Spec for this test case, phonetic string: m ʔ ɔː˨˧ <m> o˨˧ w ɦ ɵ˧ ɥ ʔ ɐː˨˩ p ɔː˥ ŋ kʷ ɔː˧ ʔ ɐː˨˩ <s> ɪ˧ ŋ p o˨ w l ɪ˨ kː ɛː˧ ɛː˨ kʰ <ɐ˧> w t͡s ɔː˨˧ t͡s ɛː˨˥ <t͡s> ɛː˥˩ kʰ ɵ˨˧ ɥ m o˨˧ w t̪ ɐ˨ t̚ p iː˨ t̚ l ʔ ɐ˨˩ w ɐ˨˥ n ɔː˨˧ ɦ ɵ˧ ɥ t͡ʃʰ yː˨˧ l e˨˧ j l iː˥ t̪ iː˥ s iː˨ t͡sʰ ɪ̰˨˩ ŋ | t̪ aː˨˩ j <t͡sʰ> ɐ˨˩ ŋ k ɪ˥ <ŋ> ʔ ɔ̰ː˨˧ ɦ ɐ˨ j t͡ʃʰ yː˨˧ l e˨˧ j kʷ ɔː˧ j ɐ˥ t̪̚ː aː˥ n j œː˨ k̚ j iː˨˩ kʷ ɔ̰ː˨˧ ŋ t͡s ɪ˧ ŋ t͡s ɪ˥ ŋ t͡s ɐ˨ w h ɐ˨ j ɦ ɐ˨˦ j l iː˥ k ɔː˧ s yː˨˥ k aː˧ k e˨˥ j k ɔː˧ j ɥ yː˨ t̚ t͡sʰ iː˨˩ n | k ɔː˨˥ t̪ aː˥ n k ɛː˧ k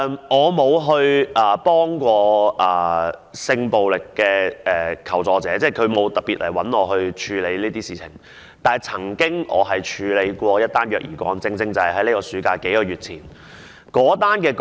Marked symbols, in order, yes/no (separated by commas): yes, yes, no, yes, yes, yes